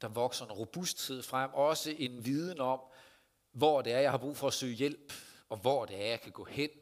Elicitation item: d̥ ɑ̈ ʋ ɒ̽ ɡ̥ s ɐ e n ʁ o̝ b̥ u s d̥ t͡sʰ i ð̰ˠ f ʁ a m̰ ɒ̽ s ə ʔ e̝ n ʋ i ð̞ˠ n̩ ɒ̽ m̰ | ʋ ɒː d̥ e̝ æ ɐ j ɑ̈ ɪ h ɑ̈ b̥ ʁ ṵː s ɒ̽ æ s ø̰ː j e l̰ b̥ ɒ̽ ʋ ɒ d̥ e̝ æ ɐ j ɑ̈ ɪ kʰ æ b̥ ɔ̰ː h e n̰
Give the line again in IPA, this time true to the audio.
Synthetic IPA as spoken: d̥ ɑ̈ ʋ ɒ̽ ɡ̥ s ɐ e n ʁ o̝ b̥ u s d̥ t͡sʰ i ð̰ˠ f ʁ a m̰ ɒ̽ s ə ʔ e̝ n ʋ i ð̞ˠ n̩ ɒ̽ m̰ | ʋ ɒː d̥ e̝ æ ɐ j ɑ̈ ɪ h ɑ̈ b̥ ʁ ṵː f ɒ̽ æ s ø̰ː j e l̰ b̥ ɒ̽ ʋ ɒ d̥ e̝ æ ɐ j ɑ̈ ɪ kʰ æ ɡ̥ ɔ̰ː h e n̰